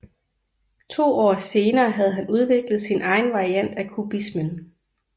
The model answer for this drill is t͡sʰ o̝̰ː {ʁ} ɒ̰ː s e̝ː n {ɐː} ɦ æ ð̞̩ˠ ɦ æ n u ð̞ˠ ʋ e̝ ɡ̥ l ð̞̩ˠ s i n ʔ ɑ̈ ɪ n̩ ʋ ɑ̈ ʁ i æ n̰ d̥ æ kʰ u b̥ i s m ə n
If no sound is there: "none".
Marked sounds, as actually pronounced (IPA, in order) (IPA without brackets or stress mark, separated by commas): none, ɐː